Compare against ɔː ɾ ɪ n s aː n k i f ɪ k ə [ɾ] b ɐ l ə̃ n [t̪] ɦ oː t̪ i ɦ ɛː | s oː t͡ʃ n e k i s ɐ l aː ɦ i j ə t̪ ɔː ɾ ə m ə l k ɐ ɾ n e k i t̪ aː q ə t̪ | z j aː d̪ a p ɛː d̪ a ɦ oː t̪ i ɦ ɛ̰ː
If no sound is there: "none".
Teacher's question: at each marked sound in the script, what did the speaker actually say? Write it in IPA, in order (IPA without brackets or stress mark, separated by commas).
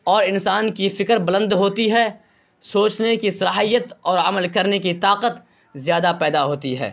ɾ, d̪